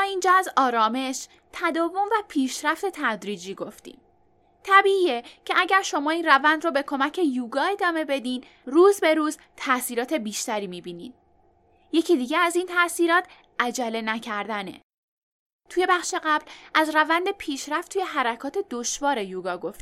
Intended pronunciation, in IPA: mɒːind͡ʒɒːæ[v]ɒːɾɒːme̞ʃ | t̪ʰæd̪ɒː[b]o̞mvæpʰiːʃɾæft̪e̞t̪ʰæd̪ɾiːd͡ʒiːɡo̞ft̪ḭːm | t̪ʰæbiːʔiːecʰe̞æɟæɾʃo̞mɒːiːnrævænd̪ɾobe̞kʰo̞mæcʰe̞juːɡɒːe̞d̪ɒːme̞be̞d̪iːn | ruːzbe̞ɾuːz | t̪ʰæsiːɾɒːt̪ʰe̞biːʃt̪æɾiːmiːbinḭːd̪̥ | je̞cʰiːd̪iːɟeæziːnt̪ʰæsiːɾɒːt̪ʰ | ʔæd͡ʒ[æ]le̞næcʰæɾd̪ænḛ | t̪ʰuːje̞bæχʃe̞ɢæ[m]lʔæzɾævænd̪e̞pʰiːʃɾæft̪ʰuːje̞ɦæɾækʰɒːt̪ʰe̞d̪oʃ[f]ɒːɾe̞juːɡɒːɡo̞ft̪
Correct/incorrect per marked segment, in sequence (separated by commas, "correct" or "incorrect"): incorrect, incorrect, correct, incorrect, incorrect